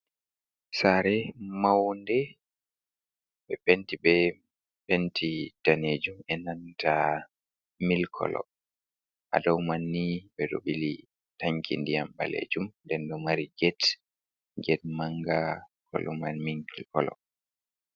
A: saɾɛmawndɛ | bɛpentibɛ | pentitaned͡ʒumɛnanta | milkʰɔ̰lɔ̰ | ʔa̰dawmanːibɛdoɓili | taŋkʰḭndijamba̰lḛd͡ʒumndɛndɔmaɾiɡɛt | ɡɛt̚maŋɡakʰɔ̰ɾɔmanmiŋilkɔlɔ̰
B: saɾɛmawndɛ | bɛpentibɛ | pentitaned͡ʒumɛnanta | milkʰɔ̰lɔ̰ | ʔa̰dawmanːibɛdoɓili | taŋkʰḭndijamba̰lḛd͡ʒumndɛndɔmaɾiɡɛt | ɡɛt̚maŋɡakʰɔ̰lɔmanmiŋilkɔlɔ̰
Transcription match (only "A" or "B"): B